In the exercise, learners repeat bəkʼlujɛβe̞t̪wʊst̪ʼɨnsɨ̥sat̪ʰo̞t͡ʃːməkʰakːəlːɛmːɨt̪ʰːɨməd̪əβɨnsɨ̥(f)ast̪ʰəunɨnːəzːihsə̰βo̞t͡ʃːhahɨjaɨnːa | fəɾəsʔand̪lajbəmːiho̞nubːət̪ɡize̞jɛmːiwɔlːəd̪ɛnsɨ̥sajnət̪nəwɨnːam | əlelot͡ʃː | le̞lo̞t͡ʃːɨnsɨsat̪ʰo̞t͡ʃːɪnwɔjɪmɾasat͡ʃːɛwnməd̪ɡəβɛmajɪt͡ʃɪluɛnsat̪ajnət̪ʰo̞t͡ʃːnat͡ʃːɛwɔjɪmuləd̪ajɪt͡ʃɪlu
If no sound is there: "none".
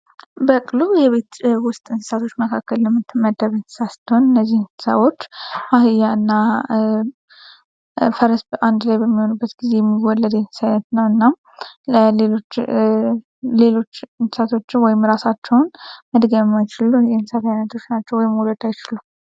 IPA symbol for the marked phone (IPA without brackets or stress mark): s